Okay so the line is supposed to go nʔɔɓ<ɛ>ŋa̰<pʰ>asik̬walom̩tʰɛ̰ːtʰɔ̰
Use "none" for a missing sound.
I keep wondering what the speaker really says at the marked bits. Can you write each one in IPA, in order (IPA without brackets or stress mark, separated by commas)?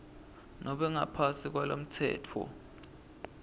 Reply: ɛ, pʰ